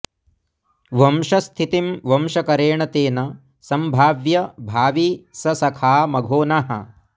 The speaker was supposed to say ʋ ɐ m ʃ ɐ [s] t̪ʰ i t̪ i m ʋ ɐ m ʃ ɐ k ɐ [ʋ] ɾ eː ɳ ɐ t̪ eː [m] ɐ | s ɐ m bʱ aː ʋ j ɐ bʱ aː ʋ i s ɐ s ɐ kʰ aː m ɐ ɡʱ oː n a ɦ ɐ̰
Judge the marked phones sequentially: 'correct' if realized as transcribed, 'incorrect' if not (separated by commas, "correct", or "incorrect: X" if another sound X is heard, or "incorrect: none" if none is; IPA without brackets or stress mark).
correct, incorrect: none, incorrect: n